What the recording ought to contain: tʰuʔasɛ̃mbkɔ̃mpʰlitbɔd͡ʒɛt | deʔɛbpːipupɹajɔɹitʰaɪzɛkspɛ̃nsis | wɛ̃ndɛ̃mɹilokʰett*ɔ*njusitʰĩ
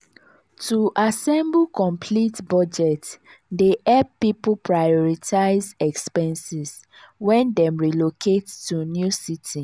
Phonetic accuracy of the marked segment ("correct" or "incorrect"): incorrect